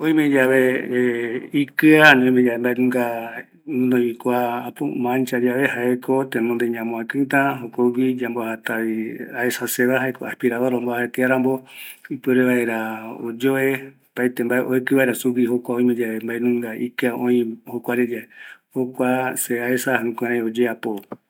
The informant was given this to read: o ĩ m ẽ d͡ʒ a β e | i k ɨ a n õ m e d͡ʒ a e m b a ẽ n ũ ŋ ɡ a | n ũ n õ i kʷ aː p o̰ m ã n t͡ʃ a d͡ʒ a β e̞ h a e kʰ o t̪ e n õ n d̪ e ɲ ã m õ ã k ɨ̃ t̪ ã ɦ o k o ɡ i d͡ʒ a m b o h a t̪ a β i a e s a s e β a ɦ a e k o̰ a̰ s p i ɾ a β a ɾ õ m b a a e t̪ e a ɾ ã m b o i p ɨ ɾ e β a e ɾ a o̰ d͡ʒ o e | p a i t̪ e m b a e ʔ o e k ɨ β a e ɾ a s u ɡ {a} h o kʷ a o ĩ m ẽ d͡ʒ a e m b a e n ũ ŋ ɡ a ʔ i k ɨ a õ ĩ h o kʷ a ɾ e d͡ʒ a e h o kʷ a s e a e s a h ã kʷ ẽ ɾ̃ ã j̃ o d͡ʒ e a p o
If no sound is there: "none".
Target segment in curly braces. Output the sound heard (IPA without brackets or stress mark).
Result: i